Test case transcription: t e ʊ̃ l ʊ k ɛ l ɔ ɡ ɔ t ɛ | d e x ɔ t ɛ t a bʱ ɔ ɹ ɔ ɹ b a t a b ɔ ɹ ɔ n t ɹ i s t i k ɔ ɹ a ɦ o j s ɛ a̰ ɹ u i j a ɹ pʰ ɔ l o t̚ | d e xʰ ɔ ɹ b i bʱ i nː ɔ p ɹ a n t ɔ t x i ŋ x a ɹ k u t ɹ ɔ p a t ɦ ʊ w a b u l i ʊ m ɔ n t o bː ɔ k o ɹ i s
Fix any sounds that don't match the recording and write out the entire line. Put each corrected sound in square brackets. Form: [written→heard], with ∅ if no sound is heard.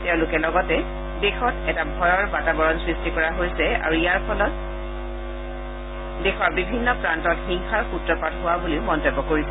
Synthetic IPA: t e ʊ̃ l ʊ k ɛ l ɔ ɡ ɔ t ɛ | d e x ɔ t ɛ t a bʱ ɔ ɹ ɔ ɹ b a t a b ɔ ɹ ɔ n [t→s] ɹ i s t i k ɔ ɹ a ɦ o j s ɛ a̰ ɹ u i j a ɹ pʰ ɔ l [o→ɔ] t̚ | d e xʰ ɔ ɹ b i bʱ i nː ɔ p ɹ a n t ɔ t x i ŋ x a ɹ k u t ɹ ɔ p a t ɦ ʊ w a b u l i ʊ m ɔ n t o bː ɔ k o ɹ i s